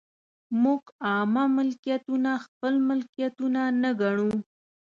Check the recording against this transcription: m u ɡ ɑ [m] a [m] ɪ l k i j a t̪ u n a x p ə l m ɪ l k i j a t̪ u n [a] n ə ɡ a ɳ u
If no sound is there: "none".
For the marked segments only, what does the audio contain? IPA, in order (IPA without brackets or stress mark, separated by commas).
m, m, a